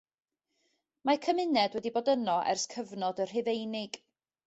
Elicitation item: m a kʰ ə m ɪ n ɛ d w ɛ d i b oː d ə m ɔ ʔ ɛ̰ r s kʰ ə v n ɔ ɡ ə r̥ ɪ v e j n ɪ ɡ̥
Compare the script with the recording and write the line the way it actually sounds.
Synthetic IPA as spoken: m a kʰ ə m ɪ n ɛ d w ɛ d i b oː d ə n ɔ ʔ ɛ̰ r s kʰ ə v n ɔ d ə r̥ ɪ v e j n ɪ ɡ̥